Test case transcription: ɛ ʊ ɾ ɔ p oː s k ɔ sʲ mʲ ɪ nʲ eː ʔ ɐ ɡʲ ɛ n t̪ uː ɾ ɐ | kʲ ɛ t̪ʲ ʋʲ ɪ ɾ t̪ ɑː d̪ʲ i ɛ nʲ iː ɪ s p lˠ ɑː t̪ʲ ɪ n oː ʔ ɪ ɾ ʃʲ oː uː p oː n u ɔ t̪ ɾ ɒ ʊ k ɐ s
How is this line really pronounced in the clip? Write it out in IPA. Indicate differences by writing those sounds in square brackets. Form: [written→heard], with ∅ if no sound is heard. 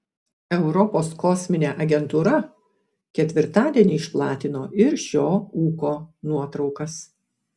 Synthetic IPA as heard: ɛ ʊ ɾ ɔ p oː s k ɔ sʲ mʲ ɪ nʲ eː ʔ ɐ ɡʲ ɛ n t̪ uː ɾ ɐ | kʲ ɛ t̪ʲ ʋʲ ɪ ɾ t̪ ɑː d̪ʲ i ɛ nʲ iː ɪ [s→ʃ] p lˠ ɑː t̪ʲ ɪ n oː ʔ ɪ ɾ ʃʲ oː uː [p→k] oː n u ɔ t̪ ɾ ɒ ʊ k ɐ s